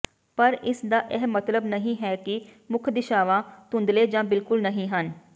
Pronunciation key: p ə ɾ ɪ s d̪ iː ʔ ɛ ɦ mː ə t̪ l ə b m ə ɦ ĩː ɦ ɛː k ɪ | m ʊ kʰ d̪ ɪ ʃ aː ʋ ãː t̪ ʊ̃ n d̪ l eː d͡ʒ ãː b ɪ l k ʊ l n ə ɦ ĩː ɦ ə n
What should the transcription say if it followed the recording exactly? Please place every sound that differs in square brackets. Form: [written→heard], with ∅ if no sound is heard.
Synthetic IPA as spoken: p ə ɾ ɪ s d̪ [iː→aː] ʔ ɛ ɦ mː ə t̪ l ə b [m→n] ə ɦ ĩː ɦ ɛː k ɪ | m ʊ kʰ d̪ ɪ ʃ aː ʋ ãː t̪ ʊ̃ n d̪ l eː d͡ʒ ãː b ɪ l k ʊ l n ə ɦ ĩː ɦ ə n